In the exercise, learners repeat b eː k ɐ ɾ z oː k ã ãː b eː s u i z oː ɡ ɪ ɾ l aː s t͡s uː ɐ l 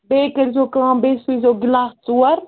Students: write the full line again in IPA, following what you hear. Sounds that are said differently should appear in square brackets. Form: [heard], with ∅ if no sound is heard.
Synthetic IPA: b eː k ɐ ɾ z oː k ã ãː b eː s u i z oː ɡ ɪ [∅] l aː s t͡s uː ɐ [ɾ]